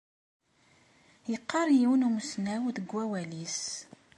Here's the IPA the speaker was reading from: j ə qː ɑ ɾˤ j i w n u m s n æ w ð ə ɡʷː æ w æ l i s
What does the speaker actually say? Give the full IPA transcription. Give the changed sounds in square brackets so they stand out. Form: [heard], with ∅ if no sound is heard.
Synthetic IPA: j ə qː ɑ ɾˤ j i w n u m s n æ w ð ə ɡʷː æ w æ l i s